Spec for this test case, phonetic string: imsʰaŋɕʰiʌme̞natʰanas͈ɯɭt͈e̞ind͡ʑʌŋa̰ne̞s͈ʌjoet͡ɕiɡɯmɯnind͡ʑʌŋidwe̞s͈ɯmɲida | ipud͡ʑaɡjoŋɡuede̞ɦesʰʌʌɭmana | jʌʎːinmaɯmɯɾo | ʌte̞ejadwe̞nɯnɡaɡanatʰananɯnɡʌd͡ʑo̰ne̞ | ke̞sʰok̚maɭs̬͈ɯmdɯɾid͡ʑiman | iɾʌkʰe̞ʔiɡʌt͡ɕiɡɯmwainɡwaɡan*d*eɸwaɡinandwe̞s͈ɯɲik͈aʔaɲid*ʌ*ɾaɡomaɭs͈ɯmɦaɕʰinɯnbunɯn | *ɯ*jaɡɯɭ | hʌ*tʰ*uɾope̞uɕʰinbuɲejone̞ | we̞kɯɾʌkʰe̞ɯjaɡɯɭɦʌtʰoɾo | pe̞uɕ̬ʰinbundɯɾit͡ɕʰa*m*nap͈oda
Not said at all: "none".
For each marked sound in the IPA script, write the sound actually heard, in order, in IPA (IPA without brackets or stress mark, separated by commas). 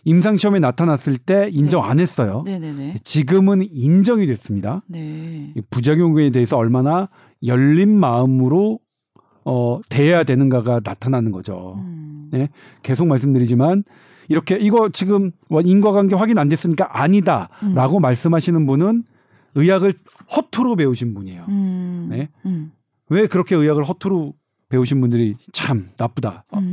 ɡ, a, ɯ, tʰ, m